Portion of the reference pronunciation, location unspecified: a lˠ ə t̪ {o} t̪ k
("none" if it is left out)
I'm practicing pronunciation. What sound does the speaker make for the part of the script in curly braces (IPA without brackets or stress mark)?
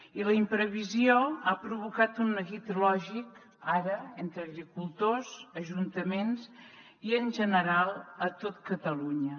o